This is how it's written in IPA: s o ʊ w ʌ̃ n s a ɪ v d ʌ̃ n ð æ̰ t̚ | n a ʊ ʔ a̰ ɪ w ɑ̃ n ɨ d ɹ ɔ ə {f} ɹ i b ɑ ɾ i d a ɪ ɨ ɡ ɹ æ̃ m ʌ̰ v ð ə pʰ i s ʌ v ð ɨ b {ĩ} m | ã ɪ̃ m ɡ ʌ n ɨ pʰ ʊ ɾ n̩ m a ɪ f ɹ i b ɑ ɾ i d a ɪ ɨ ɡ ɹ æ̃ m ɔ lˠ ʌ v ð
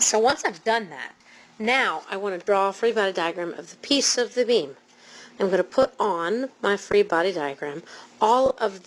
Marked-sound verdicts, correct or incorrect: correct, correct

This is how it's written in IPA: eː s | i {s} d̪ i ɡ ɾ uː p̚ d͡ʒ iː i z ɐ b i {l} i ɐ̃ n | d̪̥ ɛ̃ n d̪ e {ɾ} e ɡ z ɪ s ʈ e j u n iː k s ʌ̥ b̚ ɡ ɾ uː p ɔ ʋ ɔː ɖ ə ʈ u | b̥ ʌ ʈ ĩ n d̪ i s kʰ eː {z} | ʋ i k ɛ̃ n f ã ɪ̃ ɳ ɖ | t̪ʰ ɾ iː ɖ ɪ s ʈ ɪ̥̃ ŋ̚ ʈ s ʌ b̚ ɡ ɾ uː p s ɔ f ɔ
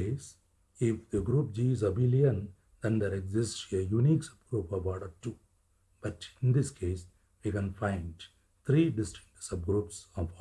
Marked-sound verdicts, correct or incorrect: incorrect: f, correct, correct, incorrect: s

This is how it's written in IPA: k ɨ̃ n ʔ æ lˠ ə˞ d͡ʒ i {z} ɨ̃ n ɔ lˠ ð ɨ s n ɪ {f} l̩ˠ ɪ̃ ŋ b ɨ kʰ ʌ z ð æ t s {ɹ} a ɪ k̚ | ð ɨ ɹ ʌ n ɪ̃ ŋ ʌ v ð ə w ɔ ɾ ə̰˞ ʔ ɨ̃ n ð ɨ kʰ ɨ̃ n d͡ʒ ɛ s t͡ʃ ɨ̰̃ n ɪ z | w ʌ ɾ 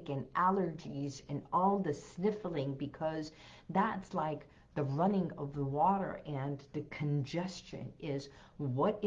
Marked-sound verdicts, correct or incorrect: correct, correct, incorrect: l

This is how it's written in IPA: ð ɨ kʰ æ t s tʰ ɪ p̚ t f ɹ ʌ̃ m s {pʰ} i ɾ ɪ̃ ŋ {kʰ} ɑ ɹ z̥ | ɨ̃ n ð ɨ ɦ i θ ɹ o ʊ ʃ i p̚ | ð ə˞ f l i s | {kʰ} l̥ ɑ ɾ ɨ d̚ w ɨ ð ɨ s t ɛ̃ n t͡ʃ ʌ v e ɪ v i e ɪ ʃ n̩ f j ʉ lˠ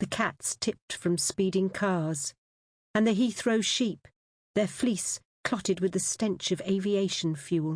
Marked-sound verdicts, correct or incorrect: incorrect: p, correct, correct

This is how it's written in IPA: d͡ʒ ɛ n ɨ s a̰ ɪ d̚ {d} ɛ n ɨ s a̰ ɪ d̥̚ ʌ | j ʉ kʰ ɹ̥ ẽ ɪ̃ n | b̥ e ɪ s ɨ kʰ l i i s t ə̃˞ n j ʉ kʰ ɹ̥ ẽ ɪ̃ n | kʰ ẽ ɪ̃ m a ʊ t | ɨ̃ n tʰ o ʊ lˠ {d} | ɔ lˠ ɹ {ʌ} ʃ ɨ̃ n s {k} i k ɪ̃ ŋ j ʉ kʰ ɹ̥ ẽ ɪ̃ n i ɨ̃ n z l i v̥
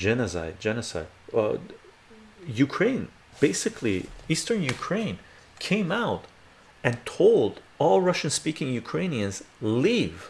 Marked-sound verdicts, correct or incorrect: incorrect: d͡ʒ, correct, correct, incorrect: p

